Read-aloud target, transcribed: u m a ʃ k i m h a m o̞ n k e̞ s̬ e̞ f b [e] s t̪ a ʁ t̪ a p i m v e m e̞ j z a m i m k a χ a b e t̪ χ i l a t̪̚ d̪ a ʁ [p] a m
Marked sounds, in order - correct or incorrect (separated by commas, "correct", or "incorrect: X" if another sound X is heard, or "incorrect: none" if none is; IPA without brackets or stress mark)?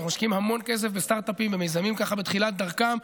correct, incorrect: k